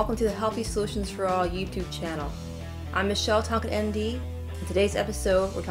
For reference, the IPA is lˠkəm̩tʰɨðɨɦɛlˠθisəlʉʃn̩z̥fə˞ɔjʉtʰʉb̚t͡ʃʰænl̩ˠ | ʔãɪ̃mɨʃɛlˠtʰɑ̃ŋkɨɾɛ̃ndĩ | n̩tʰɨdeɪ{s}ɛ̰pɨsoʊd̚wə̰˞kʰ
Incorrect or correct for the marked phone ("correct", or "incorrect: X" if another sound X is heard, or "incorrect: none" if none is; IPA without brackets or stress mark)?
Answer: incorrect: z